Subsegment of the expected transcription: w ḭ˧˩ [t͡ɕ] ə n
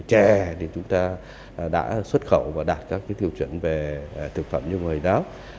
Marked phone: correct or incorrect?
incorrect